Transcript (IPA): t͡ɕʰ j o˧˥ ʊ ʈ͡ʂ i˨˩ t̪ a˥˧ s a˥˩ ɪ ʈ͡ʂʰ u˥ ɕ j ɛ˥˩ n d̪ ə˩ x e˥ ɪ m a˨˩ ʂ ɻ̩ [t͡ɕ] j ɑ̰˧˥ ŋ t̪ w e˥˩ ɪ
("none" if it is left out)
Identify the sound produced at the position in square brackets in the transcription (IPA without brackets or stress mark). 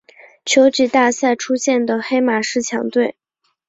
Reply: t͡ɕʰ